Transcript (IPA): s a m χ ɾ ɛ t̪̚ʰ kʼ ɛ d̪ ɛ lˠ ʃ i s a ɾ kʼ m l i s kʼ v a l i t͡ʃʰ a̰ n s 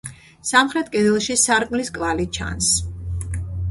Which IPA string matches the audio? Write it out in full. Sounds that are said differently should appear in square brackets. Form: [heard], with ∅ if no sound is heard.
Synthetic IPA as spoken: s a m χ ɾ ɛ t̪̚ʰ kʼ ɛ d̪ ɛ lˠ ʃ i s a ɾ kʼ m l i s kʼ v a l i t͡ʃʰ a̰ n s